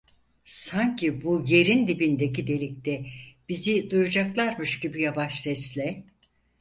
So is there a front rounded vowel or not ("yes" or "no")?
no